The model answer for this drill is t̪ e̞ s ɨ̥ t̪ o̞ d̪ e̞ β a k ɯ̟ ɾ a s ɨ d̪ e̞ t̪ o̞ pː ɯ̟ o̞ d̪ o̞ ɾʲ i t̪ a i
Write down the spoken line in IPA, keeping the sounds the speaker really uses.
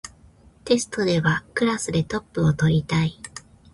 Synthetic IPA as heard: t̪ e̞ s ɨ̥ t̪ o̞ d̪ e̞ β a k ɯ̟ ɾ a s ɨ d̪ e̞ t̪ o̞ pː ɯ̟ o̞ t̪ o̞ ɾʲ i t̪ a i